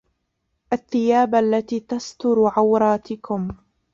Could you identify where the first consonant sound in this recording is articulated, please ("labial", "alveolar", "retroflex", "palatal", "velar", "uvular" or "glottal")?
glottal